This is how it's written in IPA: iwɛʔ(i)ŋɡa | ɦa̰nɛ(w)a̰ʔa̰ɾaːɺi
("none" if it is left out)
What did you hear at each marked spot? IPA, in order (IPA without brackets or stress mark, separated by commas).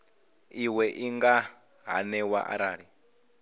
i, w